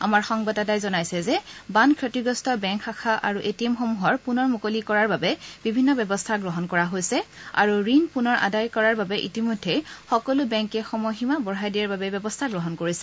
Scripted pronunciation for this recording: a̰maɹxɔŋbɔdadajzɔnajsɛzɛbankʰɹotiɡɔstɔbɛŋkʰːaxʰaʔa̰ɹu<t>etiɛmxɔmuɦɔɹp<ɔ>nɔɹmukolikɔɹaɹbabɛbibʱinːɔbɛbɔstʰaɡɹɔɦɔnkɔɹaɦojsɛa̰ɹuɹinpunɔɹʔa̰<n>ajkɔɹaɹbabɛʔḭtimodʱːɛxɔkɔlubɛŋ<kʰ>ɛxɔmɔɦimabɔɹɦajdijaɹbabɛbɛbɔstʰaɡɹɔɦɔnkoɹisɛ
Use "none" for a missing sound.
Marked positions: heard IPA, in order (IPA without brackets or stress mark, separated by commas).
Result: ʔ, u, d, k